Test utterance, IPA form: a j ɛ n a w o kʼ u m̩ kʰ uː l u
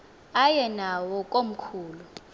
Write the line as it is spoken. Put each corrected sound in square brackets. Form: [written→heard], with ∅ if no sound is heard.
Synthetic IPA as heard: a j ɛ n a w [o→ɔ] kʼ [u→o] m̩ kʰ uː l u